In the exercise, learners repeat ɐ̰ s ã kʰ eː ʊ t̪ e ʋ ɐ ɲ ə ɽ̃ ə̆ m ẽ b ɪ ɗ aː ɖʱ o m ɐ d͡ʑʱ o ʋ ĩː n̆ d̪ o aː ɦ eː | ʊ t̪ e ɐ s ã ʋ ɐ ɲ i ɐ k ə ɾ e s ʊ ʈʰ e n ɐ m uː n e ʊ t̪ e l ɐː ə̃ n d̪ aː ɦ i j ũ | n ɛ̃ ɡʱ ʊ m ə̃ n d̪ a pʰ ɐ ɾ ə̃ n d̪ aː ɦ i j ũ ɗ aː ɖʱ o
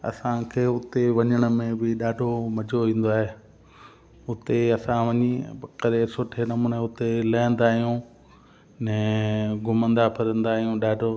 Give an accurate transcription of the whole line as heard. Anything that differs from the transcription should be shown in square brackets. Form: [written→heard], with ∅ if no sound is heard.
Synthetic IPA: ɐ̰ s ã kʰ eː ʊ t̪ e ʋ ɐ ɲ ə ɽ̃ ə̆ m ẽ b ɪ ɗ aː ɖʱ o m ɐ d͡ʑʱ o ʋ ĩː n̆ d̪ o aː ɦ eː | ʊ t̪ e ɐ s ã ʋ ɐ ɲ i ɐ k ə ɾ e s ʊ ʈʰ e n ɐ m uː n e ʊ t̪ e l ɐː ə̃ n d̪ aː ɦ i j ũ | n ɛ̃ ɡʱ ʊ m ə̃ n d̪ a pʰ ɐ ɾ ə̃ n d̪ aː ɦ i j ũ ɗ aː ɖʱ o